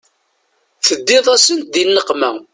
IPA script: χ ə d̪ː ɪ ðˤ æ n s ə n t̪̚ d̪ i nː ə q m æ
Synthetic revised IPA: θ ə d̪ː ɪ ðˤ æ s ə n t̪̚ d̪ i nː ə q m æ